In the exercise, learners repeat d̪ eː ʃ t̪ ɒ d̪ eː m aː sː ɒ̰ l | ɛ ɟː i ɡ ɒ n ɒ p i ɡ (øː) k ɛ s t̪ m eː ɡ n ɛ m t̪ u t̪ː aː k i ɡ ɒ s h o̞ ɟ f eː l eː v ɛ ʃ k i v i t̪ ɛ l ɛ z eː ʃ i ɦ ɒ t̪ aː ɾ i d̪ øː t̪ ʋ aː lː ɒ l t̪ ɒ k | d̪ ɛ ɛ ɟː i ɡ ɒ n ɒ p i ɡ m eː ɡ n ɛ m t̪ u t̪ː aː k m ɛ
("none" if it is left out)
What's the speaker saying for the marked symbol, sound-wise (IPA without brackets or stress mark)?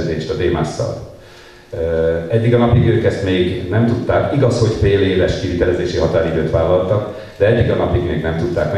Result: øː